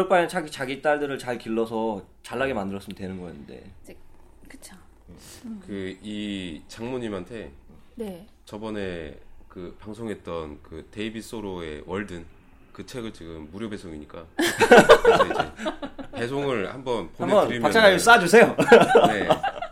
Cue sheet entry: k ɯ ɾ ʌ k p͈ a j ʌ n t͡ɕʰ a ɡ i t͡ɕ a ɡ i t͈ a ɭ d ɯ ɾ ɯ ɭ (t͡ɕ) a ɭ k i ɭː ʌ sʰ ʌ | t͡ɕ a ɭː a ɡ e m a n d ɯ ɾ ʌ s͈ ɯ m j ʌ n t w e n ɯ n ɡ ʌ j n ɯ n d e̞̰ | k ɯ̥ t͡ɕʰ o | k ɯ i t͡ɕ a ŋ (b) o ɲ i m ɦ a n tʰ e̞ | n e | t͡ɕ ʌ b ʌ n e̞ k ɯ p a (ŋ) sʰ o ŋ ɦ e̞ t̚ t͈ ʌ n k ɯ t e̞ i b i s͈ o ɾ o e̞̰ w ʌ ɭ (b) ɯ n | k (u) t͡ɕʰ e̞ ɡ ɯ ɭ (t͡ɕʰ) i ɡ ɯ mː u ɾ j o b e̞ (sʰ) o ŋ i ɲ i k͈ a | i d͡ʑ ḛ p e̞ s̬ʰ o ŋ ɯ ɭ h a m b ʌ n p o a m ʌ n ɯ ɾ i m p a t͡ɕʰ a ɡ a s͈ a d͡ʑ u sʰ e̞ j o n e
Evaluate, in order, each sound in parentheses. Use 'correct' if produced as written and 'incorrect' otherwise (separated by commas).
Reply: correct, incorrect, correct, incorrect, incorrect, incorrect, correct